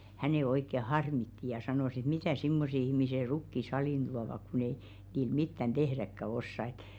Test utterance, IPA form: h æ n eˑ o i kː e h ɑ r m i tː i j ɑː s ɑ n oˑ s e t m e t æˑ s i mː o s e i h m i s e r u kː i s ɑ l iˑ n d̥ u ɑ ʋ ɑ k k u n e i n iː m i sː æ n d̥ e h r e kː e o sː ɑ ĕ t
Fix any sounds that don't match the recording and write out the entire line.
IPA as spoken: h æ n eˑ o i kː e h ɑ r m i tː i j ɑ s ɑ n oˑ s e t m i t æˑ s i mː o s e i h m i s e r u kː i s ɑ l iˑ n d̥ u ɑ ʋ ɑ k k u n e i n iː m i tː æ n d̥ e h r æ kː æ o sː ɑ ĕ t

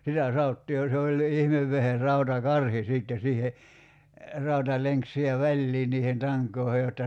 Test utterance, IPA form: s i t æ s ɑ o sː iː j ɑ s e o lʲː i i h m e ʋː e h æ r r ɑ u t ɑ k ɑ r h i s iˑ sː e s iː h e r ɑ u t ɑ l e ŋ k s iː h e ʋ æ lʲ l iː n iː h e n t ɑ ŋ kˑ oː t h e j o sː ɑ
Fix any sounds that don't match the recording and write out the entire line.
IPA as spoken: s i t æ s ɑ o tː iː j ɑ s e o lʲː i i h m e ʋː e h e r r ɑ u t ɑ k ɑ r h i s iˑ tː e s iː h e r ɑ u t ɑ l e ŋ k s i h e ʋ æ lʲ l iː n iː h e n t ɑ ŋ kˑ oː h e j o tː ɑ

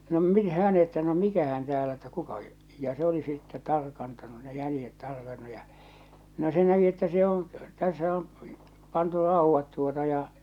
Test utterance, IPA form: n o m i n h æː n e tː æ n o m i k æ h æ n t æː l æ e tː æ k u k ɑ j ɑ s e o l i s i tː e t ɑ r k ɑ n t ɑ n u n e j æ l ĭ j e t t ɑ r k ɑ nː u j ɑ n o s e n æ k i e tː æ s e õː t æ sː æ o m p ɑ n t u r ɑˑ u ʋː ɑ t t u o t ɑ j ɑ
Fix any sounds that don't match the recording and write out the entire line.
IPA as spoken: n o m i n h æː n e tː æ n o m i k æ h æ n t æː l æ e tː æ k u k ɑ j ɑ s e o l i s i tː e t ɑ r k ɑ n t ɑ n u n e j æ l ĭ j e t t ɑ r k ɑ nː u j ɑ n o s e n æ k i e tː æ s e õː t æ sː æ o m p ɑ n t u r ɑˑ u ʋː ɑ t t u o t ɑ j ɑ

